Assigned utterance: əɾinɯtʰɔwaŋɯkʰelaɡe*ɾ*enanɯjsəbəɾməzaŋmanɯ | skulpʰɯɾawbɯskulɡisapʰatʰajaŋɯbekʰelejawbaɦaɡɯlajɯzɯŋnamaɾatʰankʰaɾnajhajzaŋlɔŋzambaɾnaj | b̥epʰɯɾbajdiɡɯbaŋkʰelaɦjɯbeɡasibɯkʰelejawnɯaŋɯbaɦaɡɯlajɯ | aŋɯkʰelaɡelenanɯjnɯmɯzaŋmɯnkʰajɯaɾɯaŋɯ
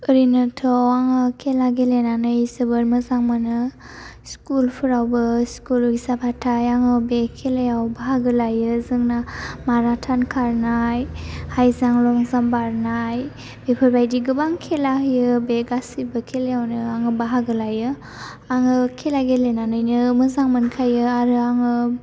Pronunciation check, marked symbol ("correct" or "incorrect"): incorrect